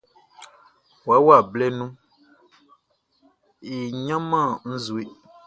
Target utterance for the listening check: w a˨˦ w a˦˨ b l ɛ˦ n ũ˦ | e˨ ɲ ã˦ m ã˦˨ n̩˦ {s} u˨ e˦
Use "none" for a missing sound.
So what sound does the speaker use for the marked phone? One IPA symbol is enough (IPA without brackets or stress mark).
z